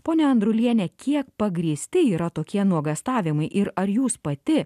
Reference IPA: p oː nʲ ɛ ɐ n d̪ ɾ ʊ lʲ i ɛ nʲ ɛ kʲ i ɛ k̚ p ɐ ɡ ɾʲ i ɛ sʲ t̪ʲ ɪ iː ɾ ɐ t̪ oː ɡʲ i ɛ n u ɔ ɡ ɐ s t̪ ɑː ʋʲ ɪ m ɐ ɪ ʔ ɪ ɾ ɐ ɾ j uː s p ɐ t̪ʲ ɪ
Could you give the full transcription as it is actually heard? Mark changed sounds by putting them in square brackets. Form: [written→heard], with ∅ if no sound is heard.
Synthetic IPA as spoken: p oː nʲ ɛ ɐ n d̪ ɾ ʊ lʲ i ɛ nʲ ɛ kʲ i ɛ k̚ p ɐ ɡ ɾʲ i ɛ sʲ t̪ʲ ɪ iː ɾ ɐ t̪ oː [ɡʲ→kʲ] i ɛ n u ɔ ɡ ɐ s t̪ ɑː ʋʲ ɪ m ɐ ɪ ʔ ɪ ɾ ɐ ɾ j uː s p ɐ t̪ʲ ɪ